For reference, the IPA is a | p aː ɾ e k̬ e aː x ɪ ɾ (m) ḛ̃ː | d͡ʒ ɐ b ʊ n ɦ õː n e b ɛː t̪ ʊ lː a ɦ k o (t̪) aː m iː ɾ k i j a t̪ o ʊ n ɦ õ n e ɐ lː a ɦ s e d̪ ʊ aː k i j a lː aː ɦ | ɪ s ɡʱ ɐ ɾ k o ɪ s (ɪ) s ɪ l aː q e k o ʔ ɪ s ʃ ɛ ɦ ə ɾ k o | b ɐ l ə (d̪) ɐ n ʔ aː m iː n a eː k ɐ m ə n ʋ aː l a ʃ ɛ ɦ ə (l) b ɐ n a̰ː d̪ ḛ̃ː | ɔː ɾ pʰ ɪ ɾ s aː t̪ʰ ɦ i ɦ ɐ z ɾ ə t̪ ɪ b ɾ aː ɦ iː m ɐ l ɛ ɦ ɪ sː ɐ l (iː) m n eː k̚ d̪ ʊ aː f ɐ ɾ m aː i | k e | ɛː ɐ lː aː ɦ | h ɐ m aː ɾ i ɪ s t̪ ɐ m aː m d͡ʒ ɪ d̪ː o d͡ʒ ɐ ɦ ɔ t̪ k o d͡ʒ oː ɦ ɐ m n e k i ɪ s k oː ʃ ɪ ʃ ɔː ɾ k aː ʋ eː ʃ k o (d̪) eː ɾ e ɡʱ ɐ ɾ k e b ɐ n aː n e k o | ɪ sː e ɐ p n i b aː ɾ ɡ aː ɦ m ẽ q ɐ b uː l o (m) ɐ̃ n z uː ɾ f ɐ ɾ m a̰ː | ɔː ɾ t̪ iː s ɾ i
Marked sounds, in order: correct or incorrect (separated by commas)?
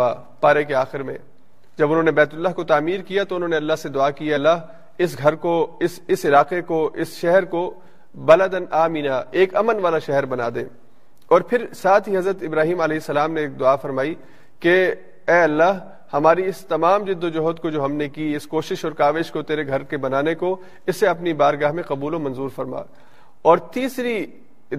correct, correct, correct, correct, incorrect, incorrect, incorrect, correct